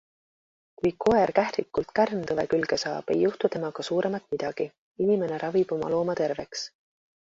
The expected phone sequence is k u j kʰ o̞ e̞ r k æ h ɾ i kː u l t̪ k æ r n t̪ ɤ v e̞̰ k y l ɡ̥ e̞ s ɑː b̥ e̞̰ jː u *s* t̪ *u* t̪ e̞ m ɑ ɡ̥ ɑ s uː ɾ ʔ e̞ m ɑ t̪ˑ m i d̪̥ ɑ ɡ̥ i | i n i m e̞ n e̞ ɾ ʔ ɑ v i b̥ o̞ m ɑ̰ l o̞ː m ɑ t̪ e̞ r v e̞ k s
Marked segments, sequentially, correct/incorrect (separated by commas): incorrect, correct